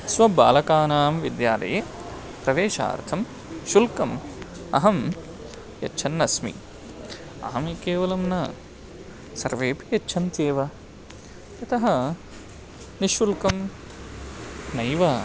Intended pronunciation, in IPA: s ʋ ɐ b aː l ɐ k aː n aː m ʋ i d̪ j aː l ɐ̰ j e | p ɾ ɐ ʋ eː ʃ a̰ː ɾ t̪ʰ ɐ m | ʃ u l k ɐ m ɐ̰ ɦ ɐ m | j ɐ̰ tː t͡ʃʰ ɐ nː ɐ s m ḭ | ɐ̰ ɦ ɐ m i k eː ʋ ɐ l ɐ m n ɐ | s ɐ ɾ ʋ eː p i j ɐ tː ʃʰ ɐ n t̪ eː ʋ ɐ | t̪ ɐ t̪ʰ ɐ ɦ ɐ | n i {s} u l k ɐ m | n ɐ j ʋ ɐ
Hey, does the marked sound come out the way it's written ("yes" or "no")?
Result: no